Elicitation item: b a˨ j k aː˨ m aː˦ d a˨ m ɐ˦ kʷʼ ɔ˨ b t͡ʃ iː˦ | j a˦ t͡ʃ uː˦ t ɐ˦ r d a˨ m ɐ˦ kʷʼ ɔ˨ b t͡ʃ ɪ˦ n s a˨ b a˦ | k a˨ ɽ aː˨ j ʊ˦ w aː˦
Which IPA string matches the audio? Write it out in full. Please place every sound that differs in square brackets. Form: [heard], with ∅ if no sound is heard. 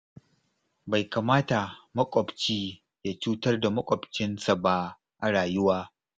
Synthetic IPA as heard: b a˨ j k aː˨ m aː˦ [t] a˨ m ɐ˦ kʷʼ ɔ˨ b t͡ʃ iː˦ | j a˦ t͡ʃ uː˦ t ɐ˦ r d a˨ m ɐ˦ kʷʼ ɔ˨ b t͡ʃ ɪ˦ n s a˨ b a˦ | [ʔ] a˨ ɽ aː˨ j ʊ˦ w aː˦